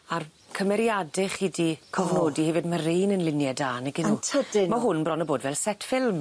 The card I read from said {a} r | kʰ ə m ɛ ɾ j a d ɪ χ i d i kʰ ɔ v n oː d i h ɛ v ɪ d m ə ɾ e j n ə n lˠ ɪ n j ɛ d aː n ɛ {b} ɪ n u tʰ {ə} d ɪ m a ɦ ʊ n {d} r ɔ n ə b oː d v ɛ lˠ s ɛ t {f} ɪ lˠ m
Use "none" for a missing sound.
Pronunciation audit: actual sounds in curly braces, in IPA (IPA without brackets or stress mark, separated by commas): a, ɡ, ə, b, f